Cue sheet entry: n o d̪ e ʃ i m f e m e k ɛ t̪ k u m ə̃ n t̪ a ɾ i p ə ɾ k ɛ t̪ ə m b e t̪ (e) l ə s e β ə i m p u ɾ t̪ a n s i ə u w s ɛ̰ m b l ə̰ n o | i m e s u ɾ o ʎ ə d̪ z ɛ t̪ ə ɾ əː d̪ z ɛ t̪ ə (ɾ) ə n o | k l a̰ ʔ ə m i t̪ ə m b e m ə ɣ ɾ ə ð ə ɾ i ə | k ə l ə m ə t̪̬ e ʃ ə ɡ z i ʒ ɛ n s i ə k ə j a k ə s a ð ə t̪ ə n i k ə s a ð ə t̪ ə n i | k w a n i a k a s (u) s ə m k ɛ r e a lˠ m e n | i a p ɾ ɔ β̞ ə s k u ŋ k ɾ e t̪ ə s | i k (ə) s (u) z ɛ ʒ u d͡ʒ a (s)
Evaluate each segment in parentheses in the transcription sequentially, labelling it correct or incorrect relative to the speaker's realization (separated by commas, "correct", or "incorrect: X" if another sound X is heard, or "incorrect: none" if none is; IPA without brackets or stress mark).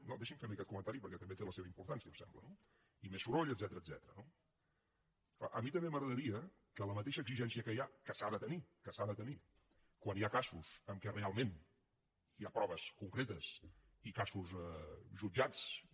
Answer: correct, correct, correct, incorrect: a, correct, incorrect: t͡s